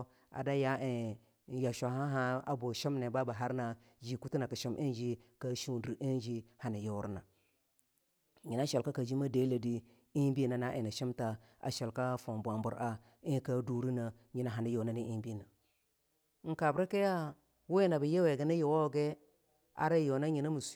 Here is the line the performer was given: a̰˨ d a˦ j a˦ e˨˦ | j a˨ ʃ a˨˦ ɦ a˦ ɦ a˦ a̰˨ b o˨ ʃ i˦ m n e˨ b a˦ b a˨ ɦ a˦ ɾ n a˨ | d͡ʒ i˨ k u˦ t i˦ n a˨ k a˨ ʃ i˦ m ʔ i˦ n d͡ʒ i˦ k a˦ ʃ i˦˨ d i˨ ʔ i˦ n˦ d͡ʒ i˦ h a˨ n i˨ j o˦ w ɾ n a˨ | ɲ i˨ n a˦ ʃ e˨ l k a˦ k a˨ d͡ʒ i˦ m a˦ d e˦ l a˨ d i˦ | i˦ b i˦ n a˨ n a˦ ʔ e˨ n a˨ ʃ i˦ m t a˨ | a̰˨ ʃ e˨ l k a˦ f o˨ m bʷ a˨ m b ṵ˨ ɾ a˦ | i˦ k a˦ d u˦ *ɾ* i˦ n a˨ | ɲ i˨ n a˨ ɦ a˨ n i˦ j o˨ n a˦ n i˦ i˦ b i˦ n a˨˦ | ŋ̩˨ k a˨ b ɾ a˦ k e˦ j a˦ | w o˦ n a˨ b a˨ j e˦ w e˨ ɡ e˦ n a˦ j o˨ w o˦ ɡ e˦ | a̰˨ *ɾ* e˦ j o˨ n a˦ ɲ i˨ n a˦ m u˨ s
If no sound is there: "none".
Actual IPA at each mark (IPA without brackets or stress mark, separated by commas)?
ɾ, ɾ